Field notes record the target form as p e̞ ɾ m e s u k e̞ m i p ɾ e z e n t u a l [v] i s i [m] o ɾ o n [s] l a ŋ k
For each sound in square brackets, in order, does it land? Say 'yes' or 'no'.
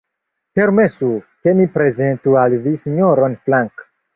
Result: yes, no, no

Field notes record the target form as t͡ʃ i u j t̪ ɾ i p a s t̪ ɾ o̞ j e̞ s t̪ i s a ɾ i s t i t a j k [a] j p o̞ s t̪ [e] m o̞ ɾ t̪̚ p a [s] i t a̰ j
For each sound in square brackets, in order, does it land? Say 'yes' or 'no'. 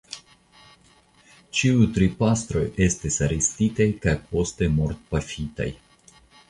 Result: yes, yes, no

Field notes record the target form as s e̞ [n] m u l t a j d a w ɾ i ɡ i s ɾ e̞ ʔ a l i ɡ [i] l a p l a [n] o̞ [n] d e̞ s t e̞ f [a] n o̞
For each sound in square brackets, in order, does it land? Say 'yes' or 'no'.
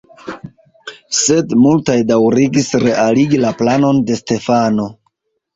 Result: no, yes, yes, yes, yes

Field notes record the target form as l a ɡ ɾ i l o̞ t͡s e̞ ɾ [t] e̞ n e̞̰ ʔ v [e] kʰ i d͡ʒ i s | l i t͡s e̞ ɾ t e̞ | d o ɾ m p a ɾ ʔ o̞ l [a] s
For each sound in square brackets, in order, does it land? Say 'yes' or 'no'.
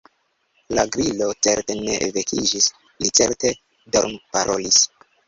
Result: yes, yes, no

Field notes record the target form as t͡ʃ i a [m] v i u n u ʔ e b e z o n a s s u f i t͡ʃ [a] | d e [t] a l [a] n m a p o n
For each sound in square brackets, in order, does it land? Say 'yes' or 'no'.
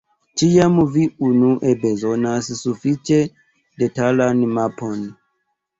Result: yes, no, yes, yes

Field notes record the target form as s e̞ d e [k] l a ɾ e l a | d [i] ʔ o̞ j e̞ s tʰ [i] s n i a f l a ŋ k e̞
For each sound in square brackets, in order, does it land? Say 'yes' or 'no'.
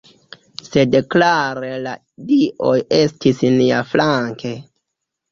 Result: yes, yes, yes

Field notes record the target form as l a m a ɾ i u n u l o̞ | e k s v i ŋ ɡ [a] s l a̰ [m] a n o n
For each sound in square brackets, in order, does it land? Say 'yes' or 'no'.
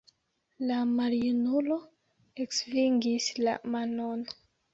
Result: no, yes

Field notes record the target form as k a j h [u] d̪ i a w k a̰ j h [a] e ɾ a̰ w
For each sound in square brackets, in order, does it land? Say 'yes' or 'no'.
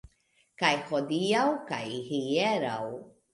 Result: no, no

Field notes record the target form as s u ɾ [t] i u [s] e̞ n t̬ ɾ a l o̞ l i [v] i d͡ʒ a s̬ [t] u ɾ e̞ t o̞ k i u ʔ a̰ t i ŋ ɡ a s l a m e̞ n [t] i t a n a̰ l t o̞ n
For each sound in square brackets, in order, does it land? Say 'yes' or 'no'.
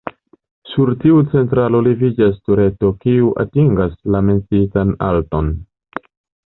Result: yes, no, yes, yes, no

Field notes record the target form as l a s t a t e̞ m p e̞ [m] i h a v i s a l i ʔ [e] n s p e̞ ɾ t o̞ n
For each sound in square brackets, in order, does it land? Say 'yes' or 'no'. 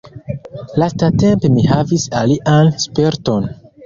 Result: yes, no

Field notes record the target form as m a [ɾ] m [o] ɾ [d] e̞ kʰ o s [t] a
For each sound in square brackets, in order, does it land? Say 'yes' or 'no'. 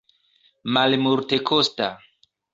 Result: no, no, no, yes

